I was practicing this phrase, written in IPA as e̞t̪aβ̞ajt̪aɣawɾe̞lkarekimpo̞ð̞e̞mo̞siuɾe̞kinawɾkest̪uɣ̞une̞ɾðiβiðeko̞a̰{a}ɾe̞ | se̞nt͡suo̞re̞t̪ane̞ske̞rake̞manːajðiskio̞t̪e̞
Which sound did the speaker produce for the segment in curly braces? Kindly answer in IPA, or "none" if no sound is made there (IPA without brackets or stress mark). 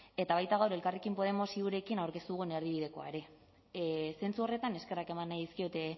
e